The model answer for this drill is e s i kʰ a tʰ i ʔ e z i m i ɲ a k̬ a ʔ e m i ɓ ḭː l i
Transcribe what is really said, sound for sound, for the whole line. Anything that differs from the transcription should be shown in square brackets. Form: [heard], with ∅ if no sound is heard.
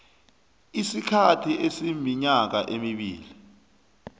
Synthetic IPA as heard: [i] s i kʰ a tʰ i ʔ e [s] i m i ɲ a k̬ a ʔ e m i ɓ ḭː l i